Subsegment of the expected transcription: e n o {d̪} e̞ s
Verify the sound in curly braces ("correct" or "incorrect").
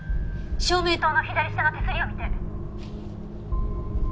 incorrect